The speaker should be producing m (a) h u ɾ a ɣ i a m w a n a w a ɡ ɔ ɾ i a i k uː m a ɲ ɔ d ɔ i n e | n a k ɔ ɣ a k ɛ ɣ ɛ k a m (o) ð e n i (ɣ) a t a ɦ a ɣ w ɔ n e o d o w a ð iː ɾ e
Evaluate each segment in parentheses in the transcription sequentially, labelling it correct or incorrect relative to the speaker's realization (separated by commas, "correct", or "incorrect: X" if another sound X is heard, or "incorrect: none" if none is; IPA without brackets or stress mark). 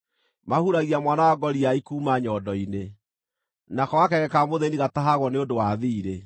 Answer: correct, correct, correct